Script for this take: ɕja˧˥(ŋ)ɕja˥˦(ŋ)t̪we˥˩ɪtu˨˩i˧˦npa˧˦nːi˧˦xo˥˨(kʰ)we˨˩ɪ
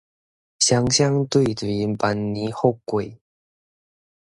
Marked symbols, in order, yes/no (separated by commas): yes, yes, no